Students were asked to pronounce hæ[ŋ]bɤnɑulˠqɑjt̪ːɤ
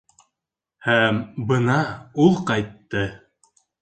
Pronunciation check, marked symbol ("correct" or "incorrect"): incorrect